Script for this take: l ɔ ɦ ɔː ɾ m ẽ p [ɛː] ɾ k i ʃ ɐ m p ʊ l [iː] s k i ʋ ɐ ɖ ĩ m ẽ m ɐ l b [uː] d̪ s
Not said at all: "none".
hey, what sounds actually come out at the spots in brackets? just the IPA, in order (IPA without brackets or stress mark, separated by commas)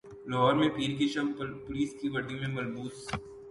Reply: iː, iː, uː